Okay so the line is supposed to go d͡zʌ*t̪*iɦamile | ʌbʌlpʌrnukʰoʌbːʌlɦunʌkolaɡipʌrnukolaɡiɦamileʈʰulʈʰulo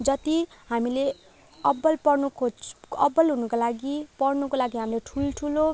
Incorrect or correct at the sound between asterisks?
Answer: correct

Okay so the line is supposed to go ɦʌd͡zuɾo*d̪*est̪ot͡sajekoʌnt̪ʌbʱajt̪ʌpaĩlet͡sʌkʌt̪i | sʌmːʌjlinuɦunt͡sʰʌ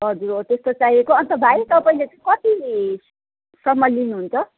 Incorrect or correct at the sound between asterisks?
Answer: incorrect: t̪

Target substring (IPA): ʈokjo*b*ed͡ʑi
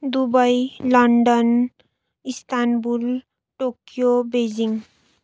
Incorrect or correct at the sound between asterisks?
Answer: correct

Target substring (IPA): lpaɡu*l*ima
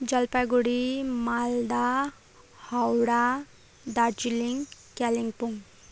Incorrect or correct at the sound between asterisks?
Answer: incorrect: ɽ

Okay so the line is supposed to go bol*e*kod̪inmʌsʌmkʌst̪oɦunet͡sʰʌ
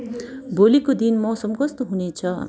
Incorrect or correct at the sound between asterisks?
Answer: incorrect: i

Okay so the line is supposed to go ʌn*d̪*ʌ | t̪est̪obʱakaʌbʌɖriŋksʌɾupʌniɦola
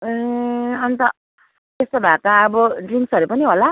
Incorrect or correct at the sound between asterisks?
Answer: incorrect: t̪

